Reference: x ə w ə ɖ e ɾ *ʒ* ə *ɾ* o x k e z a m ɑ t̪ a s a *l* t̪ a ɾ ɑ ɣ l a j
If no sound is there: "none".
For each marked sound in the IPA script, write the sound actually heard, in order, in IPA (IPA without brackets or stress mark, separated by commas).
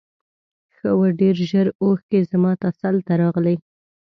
ʒ, ɾ, l